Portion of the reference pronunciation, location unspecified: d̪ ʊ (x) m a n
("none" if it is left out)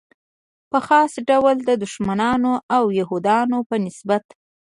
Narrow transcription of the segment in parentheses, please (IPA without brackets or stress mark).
ʃ